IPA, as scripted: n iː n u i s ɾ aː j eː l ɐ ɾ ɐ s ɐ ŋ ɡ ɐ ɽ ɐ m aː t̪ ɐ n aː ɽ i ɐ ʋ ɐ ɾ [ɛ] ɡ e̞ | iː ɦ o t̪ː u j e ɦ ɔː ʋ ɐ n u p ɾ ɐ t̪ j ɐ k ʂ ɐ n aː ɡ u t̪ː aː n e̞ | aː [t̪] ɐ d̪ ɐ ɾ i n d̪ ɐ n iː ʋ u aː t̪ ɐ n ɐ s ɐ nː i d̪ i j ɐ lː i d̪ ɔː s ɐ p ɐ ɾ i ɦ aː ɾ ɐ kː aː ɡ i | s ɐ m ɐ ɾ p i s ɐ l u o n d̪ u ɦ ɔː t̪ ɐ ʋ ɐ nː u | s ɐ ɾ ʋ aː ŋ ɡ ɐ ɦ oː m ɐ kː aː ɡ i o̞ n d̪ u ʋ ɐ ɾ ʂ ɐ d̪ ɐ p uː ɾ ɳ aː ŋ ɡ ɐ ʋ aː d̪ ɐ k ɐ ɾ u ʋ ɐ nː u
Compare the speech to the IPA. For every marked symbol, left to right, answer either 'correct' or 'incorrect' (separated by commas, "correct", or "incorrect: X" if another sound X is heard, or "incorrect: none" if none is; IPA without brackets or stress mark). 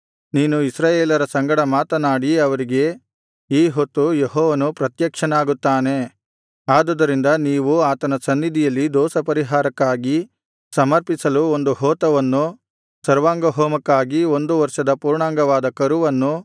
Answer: incorrect: i, incorrect: d̪